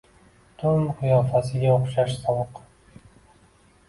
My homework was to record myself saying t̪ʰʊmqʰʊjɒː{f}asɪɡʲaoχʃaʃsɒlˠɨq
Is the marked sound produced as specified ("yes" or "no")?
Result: yes